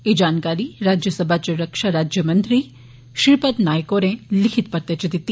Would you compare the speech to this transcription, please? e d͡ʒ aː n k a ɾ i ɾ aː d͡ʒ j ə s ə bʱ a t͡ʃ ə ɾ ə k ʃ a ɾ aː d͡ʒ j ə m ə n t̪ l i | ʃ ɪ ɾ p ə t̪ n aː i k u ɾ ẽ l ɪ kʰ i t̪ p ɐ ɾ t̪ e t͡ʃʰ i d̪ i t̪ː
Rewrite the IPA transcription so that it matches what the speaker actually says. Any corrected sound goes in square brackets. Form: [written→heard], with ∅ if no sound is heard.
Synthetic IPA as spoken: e d͡ʒ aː n k a ɾ i ɾ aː d͡ʒ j ə s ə bʱ a t͡ʃ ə ɾ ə k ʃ a ɾ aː d͡ʒ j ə m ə n t̪ [l→ɾ] i | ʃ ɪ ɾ p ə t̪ n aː [i→j] k [u→o] ɾ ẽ l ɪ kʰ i t̪ p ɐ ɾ t̪ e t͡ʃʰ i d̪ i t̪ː